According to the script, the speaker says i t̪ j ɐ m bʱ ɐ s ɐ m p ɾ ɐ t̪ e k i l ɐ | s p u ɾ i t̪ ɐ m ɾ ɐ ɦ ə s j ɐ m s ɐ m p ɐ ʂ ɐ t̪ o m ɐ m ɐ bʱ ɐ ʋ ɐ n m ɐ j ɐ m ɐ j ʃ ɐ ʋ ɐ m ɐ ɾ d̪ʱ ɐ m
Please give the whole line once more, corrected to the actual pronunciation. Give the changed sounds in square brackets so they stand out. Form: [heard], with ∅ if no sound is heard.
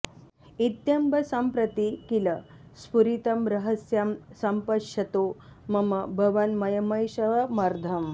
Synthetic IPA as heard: i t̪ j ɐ m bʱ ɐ s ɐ m p ɾ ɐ t̪ [i] k i l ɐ | s p u ɾ i t̪ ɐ m ɾ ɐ ɦ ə s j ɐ m s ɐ m p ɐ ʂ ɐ t̪ o m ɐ m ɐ bʱ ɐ ʋ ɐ n m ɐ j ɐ m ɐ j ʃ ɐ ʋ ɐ m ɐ ɾ d̪ʱ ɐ m